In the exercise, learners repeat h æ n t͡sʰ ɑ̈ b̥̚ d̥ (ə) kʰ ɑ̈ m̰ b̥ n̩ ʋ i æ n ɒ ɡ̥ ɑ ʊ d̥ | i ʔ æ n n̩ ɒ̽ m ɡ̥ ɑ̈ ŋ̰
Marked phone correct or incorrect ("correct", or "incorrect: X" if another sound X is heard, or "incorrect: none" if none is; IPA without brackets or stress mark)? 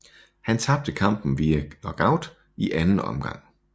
correct